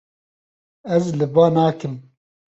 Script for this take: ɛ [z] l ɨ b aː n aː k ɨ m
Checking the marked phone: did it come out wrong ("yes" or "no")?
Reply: no